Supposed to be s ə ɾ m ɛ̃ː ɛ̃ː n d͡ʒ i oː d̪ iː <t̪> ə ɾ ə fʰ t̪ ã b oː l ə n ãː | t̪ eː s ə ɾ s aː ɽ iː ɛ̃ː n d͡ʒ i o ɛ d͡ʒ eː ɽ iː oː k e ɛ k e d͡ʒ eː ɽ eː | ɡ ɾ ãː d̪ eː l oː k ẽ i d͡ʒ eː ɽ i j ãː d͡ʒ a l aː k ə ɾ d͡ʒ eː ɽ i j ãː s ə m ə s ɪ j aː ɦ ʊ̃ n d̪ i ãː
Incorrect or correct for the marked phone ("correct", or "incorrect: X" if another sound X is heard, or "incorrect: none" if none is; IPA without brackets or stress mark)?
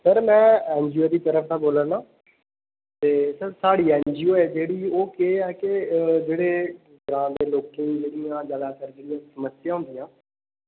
correct